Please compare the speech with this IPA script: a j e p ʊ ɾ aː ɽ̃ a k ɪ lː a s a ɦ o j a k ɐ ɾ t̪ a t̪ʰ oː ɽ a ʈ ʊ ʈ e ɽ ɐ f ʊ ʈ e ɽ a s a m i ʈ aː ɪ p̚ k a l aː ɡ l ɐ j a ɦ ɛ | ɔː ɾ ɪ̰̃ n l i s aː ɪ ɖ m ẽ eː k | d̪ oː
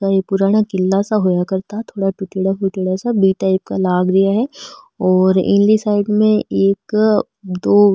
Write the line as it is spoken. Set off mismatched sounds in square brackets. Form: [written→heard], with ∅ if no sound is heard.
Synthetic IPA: a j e p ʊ ɾ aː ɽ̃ a k ɪ lː a s a ɦ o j a k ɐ ɾ t̪ a t̪ʰ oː ɽ a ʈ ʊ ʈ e ɽ [ɐ→a] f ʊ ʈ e ɽ a s a [m→b] i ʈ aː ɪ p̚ k a l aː ɡ [l→ɾ] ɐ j a ɦ ɛ | ɔː ɾ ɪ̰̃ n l i s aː ɪ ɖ m ẽ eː k | d̪ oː